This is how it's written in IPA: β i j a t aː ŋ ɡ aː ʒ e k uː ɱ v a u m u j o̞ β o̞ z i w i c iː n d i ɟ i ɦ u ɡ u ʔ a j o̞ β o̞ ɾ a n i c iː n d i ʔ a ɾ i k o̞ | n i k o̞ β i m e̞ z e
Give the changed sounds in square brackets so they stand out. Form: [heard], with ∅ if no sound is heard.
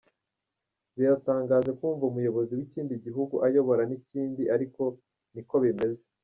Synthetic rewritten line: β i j a t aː ŋ ɡ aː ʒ e k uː ɱ v a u m u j o̞ β o̞ z i w i c iː n d i ɟ i ɦ u ɡ u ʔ a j o̞ β o̞ ɾ a n i c iː n d i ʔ a ɾ i k o̞ | n i k o̞ β i m e̞ z e